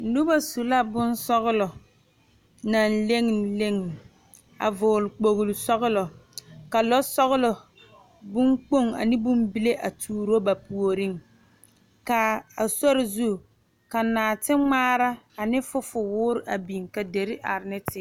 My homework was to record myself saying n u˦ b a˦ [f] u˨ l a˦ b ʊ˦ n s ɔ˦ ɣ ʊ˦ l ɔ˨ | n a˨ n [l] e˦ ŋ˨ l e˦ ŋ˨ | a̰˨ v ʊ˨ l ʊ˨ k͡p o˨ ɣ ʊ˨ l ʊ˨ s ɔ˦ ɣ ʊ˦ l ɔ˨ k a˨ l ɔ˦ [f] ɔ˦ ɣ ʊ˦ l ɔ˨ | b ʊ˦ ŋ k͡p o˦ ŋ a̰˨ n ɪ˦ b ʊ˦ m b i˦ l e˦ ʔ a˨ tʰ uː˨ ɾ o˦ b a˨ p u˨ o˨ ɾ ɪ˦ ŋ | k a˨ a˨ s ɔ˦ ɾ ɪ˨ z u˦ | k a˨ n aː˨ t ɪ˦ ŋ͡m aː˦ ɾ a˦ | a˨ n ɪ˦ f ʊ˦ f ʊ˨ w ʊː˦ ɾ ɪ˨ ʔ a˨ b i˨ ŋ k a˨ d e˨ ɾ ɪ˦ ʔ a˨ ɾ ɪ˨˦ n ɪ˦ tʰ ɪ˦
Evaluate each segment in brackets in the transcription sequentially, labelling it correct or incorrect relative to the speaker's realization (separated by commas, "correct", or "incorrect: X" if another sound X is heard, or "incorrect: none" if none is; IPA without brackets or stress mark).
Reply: incorrect: s, correct, incorrect: s